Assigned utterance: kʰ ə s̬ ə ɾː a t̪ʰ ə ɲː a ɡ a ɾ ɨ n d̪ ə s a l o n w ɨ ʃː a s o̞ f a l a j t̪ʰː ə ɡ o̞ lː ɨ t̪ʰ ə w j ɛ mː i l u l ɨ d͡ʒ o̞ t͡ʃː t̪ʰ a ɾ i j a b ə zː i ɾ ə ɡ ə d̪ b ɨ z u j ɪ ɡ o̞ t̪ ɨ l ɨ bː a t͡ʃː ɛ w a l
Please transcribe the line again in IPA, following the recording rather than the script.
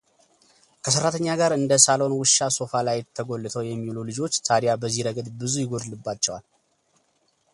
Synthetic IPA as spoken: kʰ ə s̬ ə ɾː a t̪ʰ ə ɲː a ɡ a ɾ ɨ n d̪ ə s a l o n w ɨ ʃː a s o̞ f a l a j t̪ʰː ə ɡ o̞ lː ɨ t̪ʰ ə w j ɛ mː i l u l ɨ d͡ʒ o̞ t͡ʃː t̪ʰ a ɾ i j a b ə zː i ɾ ə ɡ ə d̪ b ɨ z u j ɪ ɡ o̞ d̪ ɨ l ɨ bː a t͡ʃː ɛ w a l